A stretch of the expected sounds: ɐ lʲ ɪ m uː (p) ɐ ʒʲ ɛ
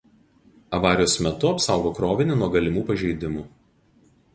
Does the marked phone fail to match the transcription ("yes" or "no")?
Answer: no